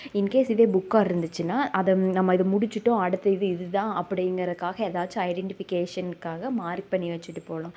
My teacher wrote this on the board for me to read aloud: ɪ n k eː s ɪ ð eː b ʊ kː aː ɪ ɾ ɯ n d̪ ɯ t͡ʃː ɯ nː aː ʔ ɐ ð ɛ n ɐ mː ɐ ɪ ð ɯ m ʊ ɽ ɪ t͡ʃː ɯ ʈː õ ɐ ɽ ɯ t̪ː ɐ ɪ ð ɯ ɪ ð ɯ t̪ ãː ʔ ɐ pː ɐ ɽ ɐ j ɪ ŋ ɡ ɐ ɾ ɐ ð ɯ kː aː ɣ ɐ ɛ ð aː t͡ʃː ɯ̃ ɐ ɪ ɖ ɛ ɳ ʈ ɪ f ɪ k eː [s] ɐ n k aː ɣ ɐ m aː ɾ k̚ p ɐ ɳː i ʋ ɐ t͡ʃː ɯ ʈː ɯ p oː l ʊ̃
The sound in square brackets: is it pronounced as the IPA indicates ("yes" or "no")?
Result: no